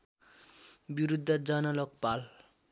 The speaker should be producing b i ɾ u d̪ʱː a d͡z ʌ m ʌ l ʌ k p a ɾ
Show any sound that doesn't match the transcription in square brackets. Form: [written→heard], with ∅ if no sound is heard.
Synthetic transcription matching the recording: b i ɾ u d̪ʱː [a→ʌ] d͡z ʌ [m→n] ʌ l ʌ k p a [ɾ→l]